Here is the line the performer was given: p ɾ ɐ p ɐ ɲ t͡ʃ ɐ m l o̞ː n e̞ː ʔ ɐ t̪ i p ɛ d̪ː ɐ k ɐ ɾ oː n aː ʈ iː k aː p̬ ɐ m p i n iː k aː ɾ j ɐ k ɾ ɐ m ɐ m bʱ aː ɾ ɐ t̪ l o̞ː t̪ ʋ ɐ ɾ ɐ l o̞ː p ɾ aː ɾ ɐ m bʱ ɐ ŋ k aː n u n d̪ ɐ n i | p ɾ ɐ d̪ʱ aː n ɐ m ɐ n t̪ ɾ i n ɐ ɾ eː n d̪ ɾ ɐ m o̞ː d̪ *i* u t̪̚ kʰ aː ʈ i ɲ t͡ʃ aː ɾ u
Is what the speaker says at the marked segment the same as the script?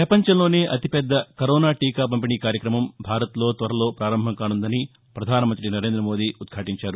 no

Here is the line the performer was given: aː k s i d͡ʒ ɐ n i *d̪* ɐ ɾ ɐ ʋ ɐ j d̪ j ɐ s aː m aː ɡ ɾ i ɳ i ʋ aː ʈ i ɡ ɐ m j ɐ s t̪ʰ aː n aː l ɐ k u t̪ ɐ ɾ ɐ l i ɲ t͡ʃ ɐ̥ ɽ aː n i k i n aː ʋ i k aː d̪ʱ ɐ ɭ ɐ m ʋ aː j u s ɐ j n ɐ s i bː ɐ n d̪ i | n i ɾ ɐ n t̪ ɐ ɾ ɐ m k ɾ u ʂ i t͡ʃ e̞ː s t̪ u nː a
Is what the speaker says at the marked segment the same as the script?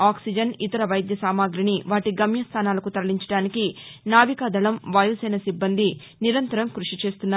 no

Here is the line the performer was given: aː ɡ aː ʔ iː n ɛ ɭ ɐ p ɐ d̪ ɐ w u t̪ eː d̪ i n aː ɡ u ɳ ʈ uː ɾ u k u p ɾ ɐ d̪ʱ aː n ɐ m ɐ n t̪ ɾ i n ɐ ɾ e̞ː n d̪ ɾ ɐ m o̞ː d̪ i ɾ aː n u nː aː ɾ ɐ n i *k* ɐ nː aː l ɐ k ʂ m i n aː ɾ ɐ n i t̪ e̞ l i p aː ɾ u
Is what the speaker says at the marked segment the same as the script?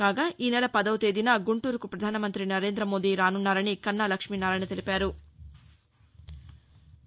yes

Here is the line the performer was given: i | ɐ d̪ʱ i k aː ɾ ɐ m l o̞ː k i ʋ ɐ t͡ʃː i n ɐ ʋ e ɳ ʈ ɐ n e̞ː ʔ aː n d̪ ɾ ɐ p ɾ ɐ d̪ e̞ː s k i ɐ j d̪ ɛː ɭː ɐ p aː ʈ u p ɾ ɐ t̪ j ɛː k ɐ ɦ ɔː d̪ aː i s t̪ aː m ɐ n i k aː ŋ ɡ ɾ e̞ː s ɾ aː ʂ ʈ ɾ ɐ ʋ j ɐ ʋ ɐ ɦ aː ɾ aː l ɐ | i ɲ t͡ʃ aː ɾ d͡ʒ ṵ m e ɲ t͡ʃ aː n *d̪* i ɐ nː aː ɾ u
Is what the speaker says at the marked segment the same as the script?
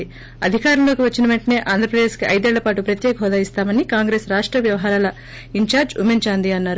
yes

